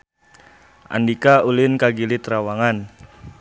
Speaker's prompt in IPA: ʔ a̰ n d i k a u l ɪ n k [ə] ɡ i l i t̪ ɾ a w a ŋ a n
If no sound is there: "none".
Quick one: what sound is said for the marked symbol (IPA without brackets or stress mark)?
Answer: a